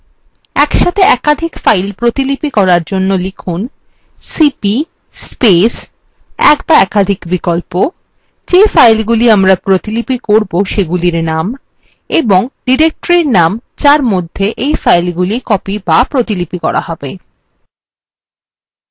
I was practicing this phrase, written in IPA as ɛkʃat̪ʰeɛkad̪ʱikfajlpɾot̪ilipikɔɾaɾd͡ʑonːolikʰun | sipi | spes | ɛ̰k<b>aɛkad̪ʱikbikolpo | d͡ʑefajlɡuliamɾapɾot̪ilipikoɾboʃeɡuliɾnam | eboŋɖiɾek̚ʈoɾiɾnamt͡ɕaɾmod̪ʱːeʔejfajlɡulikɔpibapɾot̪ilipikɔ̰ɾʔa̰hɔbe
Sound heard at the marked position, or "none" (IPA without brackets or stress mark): b